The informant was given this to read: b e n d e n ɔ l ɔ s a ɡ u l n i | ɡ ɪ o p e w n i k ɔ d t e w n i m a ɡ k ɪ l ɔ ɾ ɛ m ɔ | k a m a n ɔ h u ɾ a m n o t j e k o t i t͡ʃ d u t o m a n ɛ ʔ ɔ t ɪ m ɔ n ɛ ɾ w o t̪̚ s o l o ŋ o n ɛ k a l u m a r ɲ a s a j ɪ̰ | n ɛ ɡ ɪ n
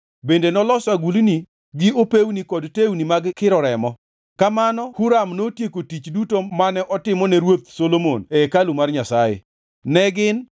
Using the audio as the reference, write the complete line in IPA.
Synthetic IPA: b e n d e n ɔ l ɔ s a ɡ u l n i | ɡ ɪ o p e w n i k ɔ d t e w n i m a ɡ k ɪ ɾ ɔ ɾ ɛ m ɔ | k a m a n ɔ h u ɾ a m n o t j e k o t i t͡ʃ d u t o m a n ɛ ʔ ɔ t ɪ m ɔ n ɛ ɾ w o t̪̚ s o l o m o n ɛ k a l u m a r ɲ a s a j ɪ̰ | n ɛ ɡ ɪ n